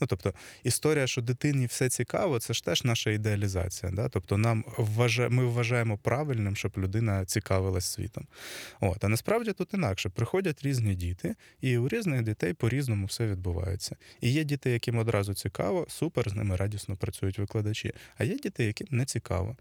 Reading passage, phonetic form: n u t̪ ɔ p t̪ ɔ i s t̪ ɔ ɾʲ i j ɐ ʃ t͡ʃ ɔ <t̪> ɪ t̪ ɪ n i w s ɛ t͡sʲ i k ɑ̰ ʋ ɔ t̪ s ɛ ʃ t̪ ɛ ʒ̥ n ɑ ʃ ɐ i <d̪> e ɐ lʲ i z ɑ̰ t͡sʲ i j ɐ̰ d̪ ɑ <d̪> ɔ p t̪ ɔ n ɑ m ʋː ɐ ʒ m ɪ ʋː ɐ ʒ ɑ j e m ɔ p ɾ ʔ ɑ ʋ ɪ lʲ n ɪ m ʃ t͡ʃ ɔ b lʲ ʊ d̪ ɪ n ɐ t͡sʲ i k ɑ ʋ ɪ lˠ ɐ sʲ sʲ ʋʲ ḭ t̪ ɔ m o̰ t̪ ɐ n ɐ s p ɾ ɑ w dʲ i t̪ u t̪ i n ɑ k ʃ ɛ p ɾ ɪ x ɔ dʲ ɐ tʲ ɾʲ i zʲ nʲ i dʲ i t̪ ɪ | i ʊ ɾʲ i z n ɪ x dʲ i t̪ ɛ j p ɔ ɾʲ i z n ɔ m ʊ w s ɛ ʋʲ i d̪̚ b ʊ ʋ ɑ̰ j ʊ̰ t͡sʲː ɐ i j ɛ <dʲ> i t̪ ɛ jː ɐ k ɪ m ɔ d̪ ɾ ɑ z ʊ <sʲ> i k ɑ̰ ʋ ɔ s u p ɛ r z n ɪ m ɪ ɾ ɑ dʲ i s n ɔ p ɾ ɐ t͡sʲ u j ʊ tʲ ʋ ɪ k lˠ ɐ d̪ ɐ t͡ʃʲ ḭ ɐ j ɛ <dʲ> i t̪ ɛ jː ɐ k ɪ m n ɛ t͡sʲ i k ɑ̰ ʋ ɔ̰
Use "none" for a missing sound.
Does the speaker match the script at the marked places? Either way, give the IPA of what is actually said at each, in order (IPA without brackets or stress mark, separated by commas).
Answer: d̪, d̪, t̪, dʲ, t͡sʲ, dʲ